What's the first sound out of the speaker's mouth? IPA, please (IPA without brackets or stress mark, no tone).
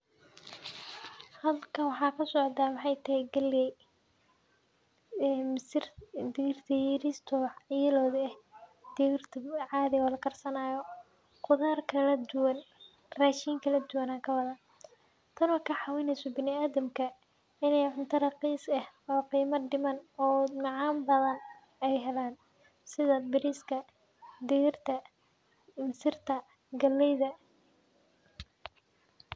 h